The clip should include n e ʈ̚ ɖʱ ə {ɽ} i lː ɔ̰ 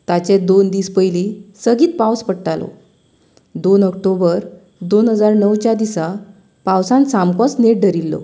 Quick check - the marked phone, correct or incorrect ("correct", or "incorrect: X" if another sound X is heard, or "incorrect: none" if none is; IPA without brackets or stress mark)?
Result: incorrect: ɾ